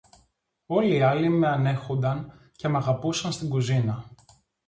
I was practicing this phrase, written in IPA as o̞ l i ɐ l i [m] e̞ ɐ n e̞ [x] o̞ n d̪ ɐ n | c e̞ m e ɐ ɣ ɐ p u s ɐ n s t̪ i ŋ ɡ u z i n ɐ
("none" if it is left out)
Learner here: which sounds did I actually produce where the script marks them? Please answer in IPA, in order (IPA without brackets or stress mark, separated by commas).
m, x